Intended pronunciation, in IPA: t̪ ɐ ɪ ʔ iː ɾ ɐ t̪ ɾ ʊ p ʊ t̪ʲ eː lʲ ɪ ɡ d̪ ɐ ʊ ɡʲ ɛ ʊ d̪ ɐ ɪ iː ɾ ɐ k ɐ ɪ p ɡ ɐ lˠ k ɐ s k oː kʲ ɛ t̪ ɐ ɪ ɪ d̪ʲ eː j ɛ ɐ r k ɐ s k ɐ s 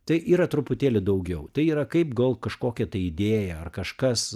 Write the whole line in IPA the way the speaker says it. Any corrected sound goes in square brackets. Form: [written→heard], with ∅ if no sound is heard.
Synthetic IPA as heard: t̪ ɐ ɪ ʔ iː ɾ ɐ t̪ ɾ ʊ p ʊ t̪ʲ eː lʲ ɪ [ɡ→∅] d̪ ɐ ʊ ɡʲ ɛ ʊ [d̪→t̪] ɐ ɪ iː ɾ ɐ k ɐ ɪ p ɡ ɐ lˠ k ɐ [s→ʃ] k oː kʲ ɛ t̪ ɐ ɪ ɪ d̪ʲ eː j ɛ ɐ r k ɐ [s→ʃ] k ɐ s